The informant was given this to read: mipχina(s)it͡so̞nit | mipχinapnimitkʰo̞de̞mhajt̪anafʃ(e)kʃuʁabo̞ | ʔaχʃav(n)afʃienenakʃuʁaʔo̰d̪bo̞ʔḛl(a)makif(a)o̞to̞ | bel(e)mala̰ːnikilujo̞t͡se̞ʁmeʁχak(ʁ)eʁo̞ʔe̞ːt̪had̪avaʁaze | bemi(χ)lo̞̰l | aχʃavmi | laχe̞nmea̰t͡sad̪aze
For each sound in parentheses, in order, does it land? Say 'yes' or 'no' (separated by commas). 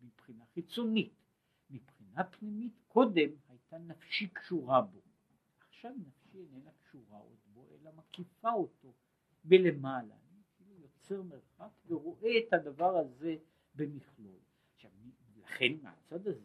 no, no, yes, yes, yes, yes, no, yes